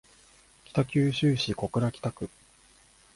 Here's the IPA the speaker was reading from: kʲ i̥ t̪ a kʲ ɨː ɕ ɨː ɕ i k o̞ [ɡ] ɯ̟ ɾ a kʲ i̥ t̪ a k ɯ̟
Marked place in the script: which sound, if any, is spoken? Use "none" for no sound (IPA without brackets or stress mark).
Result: k